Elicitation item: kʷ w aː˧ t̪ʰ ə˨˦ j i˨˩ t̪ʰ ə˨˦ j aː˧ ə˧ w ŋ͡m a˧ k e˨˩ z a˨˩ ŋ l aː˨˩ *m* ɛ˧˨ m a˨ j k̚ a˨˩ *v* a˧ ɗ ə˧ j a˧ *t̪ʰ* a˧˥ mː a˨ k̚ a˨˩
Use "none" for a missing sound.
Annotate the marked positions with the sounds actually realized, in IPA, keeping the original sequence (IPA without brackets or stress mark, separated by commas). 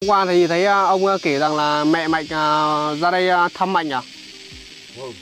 m, z, t̪ʰ